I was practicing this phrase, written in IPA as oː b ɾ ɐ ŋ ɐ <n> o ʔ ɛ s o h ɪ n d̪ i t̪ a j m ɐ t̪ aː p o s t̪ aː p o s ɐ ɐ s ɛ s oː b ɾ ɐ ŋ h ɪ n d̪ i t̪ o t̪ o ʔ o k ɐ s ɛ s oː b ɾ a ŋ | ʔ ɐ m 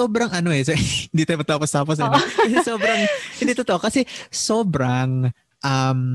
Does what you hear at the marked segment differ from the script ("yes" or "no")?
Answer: no